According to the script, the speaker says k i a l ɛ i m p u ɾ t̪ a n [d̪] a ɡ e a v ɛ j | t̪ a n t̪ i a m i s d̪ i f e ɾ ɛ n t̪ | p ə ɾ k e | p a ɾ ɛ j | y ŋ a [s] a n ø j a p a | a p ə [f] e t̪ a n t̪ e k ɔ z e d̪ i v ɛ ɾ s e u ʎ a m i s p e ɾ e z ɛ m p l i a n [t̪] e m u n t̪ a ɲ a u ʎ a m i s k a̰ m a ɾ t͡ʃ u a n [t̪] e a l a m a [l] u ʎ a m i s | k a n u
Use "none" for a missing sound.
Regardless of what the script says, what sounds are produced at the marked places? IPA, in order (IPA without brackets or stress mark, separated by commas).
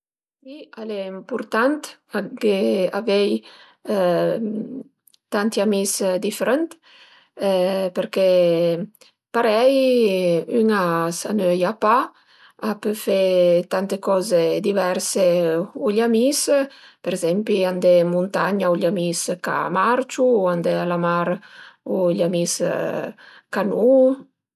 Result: t̪, s, f, d̪, d̪, ɾ